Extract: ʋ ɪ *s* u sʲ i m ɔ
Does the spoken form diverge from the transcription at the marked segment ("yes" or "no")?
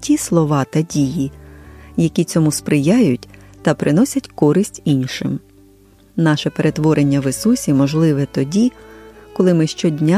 no